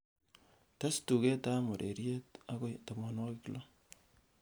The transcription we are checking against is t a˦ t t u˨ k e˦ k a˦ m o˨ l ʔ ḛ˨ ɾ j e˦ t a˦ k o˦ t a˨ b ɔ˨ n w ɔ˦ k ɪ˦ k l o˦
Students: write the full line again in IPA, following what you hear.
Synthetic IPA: t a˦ s t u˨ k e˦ t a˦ m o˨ ɾ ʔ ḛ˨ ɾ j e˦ t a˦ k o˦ t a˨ m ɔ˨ n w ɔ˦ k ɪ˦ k l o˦